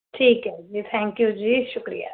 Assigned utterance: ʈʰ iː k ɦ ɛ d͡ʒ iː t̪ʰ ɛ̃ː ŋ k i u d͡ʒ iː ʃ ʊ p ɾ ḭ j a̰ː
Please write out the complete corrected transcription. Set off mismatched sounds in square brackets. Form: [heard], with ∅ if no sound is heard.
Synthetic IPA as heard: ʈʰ iː k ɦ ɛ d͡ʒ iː t̪ʰ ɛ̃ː ŋ k [j] u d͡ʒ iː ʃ ʊ [k] ɾ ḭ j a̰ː